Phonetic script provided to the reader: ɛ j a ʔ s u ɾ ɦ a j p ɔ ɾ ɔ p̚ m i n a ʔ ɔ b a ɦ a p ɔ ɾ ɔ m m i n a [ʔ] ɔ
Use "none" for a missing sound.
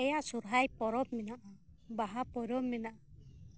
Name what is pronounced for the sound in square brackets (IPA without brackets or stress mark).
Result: ʔ